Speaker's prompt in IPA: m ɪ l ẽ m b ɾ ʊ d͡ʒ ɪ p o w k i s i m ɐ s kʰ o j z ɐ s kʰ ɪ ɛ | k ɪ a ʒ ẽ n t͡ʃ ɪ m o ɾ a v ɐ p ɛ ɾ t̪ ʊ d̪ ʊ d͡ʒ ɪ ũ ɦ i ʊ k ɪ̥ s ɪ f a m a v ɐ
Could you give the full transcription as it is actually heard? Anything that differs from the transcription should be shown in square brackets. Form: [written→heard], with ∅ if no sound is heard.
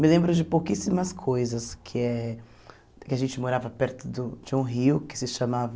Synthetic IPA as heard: m ɪ l ẽ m b ɾ ʊ d͡ʒ ɪ p o w k i s i m ɐ s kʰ o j z ɐ s kʰ ɪ ɛ | k ɪ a ʒ ẽ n t͡ʃ ɪ m o ɾ a v ɐ p ɛ ɾ t̪ ʊ d̪ ʊ d͡ʒ ɪ ũ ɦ i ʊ k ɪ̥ s ɪ [f→ʃ] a m a v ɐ